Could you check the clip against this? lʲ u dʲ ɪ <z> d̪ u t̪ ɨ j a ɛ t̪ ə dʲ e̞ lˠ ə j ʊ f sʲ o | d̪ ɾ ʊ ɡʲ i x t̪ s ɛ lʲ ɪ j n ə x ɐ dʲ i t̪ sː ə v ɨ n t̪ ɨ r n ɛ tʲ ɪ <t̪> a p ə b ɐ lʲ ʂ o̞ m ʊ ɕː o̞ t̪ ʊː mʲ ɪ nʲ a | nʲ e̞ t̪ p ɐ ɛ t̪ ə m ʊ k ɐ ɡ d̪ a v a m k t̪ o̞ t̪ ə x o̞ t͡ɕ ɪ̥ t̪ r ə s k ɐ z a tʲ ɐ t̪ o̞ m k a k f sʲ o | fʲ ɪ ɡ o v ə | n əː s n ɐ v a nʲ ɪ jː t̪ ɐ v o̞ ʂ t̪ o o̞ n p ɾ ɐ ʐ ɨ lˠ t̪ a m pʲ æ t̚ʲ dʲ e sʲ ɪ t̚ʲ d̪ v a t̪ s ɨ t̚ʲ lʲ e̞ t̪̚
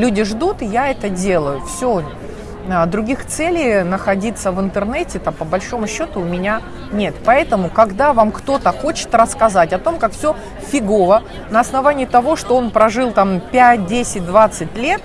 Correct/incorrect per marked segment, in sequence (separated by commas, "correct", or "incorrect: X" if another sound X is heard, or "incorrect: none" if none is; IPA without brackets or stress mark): incorrect: ʐ, correct